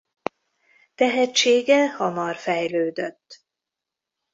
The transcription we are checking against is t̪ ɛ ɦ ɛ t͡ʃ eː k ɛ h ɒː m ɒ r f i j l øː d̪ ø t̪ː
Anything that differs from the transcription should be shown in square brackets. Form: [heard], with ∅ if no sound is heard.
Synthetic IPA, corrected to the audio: t̪ ɛ ɦ ɛ t͡ʃ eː [ɡ] ɛ h [ɒ] m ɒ r f [ɛ] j l øː d̪ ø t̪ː